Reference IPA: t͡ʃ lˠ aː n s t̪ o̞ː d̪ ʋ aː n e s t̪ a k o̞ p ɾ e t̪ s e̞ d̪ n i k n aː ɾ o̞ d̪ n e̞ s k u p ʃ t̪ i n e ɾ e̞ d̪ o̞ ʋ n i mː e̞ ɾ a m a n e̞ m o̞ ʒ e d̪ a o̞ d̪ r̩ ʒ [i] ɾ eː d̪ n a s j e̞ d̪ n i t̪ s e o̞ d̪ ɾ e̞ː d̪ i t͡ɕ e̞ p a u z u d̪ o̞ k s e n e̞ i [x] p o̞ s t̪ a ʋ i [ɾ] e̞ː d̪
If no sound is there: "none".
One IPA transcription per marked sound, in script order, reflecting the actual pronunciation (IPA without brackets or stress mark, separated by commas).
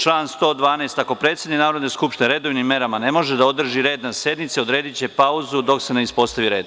i, s, ɾ